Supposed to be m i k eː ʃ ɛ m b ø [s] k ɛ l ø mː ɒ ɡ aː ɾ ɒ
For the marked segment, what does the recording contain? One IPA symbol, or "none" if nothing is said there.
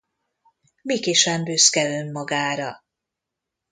s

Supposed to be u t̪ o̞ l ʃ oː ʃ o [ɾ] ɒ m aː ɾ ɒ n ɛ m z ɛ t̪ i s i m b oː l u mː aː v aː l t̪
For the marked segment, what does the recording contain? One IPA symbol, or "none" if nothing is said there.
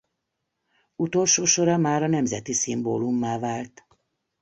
ɾ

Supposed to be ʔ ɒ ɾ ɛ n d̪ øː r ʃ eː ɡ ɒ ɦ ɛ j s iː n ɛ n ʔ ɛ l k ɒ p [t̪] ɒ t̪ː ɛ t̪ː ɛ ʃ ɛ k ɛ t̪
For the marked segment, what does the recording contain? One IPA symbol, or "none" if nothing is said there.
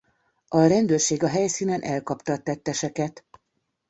t̪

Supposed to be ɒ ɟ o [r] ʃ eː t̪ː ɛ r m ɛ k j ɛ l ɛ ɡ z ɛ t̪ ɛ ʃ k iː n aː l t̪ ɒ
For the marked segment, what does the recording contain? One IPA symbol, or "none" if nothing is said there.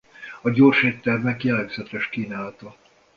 r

